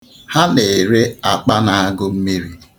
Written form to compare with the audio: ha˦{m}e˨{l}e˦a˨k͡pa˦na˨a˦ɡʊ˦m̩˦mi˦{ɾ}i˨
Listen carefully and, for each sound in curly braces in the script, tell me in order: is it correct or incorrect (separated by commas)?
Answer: incorrect, incorrect, correct